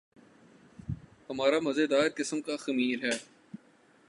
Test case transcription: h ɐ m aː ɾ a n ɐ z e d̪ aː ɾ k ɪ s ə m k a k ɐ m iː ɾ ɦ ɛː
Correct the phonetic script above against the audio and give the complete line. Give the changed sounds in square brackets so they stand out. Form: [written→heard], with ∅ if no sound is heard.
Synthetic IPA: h ɐ m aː ɾ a [n→m] ɐ z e d̪ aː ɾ k ɪ s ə m k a [k→x] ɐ m iː ɾ ɦ ɛː